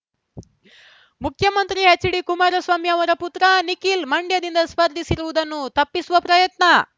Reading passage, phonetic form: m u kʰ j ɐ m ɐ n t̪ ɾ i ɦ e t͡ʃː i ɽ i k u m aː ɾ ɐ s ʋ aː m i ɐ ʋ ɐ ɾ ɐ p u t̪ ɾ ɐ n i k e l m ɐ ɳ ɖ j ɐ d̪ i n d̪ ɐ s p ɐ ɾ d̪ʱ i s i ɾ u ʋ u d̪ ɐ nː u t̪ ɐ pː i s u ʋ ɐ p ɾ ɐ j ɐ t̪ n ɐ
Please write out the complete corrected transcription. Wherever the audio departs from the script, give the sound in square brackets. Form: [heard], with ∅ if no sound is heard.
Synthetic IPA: m u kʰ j ɐ m ɐ n t̪ ɾ i ɦ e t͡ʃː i ɽ i k u m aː ɾ ɐ s ʋ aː m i ɐ ʋ ɐ ɾ ɐ p u t̪ ɾ ɐ n i k [i] l m ɐ ɳ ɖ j ɐ d̪ i n d̪ ɐ s p ɐ ɾ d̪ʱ i s i ɾ u ʋ u d̪ ɐ nː u t̪ ɐ pː i s u ʋ ɐ p ɾ ɐ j ɐ t̪ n ɐ